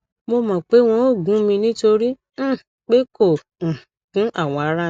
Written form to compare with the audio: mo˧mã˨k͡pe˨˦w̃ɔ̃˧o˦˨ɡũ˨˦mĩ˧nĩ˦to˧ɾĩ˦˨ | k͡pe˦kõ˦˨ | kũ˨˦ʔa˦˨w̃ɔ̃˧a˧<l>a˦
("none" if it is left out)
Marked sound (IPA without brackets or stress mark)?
ɾ